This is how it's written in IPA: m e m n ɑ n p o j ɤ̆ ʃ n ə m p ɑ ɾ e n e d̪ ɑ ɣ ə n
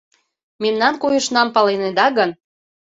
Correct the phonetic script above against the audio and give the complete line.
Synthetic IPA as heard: m e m n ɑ n k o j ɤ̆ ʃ n ɑ m p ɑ l e n e d̪ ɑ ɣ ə n